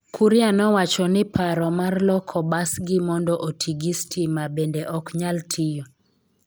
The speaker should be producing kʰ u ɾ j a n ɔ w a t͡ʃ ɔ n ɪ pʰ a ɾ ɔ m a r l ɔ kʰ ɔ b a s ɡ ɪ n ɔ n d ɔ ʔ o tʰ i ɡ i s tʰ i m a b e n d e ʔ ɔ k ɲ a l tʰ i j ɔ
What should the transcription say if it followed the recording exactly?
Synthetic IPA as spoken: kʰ u ɾ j a n ɔ w a t͡ʃ ɔ n ɪ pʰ a ɾ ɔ m a r l ɔ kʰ ɔ b a s ɡ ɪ m ɔ n d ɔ ʔ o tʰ i ɡ i s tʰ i m a b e n d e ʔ ɔ k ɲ a l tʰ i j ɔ